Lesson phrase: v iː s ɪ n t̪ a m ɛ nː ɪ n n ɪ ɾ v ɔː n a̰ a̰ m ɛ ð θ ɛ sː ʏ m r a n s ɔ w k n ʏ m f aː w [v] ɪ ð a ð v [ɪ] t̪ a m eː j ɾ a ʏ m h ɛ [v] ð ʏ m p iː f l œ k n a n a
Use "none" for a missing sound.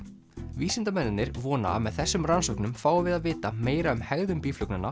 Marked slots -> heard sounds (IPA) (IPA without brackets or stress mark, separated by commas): v, ɪː, ɣ